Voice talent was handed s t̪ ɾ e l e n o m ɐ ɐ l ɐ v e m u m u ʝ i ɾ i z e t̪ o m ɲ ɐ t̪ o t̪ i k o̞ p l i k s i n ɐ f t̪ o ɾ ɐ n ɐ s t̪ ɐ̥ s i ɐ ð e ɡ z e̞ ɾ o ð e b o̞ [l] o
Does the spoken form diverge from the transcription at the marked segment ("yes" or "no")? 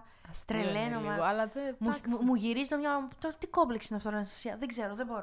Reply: yes